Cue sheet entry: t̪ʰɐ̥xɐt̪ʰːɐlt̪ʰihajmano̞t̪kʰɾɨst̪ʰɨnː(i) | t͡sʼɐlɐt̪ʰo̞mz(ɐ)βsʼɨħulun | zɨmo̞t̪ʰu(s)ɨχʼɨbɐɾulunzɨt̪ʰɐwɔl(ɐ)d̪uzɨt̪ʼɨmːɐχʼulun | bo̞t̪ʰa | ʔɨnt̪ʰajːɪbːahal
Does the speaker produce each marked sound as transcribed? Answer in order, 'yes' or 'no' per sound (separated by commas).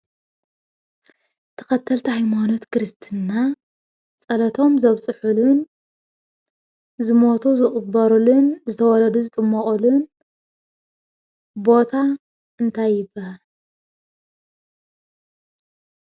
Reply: no, yes, no, yes